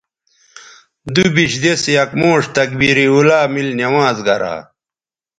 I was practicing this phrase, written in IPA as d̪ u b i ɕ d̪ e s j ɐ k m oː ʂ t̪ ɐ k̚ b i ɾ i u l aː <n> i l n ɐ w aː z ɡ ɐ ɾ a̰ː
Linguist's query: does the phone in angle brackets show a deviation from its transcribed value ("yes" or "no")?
yes